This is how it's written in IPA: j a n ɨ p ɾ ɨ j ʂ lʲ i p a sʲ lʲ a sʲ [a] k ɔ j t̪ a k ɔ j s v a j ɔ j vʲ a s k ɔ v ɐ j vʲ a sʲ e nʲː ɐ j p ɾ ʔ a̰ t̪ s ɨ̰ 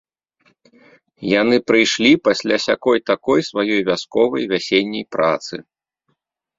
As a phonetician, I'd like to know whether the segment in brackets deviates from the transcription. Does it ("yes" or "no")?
no